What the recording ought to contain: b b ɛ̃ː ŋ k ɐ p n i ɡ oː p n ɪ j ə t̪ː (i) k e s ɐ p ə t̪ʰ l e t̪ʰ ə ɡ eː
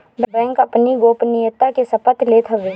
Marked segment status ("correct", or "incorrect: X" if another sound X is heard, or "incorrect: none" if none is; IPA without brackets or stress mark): incorrect: a